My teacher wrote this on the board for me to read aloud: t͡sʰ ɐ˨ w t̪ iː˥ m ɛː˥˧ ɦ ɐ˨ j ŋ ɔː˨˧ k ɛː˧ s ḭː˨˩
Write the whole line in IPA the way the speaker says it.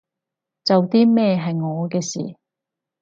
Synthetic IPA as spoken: t͡s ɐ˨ w t̪ iː˥ m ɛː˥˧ ɦ ɐ˨ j ŋ ɔː˨˧ k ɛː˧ s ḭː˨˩